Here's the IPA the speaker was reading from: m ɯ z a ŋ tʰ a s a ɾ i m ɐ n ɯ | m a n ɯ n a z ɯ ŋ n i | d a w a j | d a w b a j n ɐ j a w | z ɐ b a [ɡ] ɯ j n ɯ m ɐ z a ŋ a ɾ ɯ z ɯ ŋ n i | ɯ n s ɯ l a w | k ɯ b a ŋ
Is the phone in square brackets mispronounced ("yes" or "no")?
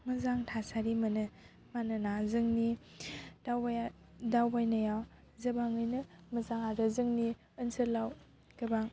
yes